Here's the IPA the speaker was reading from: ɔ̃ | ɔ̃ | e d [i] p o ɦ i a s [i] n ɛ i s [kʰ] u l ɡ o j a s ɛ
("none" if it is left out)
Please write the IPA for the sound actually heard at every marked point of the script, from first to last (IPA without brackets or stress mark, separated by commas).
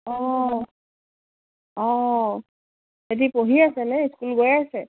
i, ɛ, k